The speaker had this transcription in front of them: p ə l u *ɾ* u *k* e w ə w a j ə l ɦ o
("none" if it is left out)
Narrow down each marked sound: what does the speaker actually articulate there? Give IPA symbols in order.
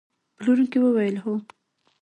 ɾ, k

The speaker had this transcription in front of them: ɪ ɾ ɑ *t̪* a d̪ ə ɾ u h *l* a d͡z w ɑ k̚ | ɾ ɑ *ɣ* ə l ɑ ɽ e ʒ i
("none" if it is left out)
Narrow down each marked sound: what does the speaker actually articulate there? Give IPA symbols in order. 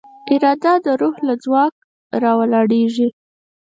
d̪, l, w

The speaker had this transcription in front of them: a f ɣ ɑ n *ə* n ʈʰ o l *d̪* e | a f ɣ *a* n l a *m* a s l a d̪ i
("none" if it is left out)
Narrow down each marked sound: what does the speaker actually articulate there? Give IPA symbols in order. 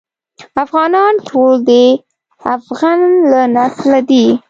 ɑ, d̪, a, n

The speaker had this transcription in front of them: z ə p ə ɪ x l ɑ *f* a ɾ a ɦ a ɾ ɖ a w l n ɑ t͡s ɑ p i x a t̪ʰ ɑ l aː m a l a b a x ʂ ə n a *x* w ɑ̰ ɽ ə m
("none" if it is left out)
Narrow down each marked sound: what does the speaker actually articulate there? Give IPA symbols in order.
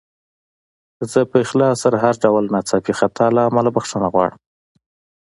s, ɣ

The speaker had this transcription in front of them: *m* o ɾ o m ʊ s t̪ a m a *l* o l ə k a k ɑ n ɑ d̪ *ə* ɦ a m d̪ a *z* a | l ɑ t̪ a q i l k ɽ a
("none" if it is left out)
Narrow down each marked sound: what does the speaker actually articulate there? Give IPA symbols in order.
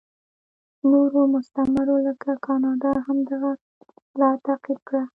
n, ɾ, ɑ, ɣ

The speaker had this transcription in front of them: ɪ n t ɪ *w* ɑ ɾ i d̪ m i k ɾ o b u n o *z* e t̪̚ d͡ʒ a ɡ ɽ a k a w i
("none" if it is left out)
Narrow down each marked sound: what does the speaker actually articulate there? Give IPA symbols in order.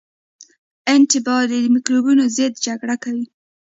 b, z

